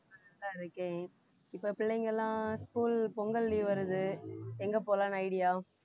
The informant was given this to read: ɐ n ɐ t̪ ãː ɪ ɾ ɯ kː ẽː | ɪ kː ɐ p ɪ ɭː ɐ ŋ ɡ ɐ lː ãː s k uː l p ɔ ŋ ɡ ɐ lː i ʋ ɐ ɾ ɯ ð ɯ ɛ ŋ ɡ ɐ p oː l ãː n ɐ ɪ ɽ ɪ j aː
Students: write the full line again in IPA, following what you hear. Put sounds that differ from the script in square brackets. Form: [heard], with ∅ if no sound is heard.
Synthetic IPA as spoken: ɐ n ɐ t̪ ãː ɪ ɾ ɯ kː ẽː | ɪ [pː] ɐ p ɪ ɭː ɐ ŋ ɡ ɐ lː ãː s k uː l p ɔ ŋ ɡ ɐ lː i ʋ ɐ ɾ ɯ ð ɯ ɛ ŋ ɡ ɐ p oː l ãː n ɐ ɪ ɽ ɪ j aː